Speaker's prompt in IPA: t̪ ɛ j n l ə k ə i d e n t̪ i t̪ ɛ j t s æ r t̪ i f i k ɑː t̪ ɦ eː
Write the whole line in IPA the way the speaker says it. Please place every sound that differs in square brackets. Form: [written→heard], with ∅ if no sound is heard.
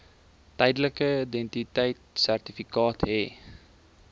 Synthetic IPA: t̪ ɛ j [n→d] l ə k ə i d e n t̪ i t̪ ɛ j t s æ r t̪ i f i k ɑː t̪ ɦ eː